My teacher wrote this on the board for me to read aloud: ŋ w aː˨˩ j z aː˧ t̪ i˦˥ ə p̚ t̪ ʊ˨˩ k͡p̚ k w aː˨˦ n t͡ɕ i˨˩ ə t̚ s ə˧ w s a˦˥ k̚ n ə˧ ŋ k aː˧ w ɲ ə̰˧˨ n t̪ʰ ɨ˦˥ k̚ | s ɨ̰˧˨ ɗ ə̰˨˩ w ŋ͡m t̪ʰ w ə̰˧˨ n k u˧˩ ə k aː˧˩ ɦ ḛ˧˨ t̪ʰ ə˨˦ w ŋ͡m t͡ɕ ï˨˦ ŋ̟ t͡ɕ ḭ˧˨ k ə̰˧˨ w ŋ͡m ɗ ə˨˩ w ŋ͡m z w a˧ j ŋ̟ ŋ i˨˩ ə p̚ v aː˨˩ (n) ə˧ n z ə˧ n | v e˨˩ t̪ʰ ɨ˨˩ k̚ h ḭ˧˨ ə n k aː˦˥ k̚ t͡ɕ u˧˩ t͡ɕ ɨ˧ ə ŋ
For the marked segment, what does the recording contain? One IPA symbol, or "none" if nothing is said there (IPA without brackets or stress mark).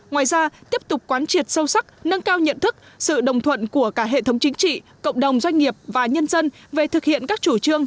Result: ɲ